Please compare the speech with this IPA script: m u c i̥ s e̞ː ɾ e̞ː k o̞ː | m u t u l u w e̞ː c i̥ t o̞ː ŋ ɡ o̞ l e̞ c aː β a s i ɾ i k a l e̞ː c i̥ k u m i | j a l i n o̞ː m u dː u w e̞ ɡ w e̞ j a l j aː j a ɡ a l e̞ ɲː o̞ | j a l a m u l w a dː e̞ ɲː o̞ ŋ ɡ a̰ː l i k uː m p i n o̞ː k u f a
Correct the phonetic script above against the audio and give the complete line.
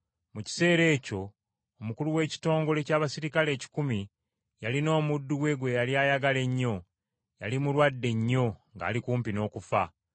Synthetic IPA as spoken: m u c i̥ s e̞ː ɾ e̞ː c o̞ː | m u k u l u w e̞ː c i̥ t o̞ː ŋ ɡ o̞ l e̞ c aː β a s i ɾ i k a l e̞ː c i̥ k u m i | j a l i n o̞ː m u dː u w e̞ ɡ w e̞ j a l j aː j a ɡ a l e̞ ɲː o̞ | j a l i m u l w a dː e̞ ɲː o̞ ŋ ɡ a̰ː l i k uː m p i n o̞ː k u f a